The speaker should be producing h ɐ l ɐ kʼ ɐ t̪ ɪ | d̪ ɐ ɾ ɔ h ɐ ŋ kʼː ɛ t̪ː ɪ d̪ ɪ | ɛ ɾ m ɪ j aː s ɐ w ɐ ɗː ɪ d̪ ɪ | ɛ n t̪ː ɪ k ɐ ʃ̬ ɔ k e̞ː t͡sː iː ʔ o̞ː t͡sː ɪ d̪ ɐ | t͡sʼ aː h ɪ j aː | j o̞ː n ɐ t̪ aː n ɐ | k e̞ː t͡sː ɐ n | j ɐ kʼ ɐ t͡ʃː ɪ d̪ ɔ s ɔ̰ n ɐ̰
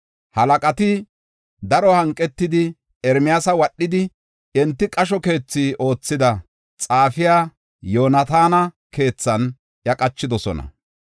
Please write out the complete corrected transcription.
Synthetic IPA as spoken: h ɐ l ɐ kʼ ɐ t̪ ɪ | d̪ ɐ ɾ ɔ h ɐ ŋ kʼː ɛ t̪ː ɪ d̪ ɪ | ɛ ɾ m ɪ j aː s ɐ w ɐ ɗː ɪ d̪ ɪ | ɛ n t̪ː ɪ kʼ ɐ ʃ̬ ɔ k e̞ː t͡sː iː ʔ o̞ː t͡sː ɪ d̪ ɐ | t͡sʼ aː f ɪ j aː | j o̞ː n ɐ t̪ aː n ɐ | k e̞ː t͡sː ɐ n | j ɐ kʼ ɐ t͡ʃː ɪ d̪ ɔ s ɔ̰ n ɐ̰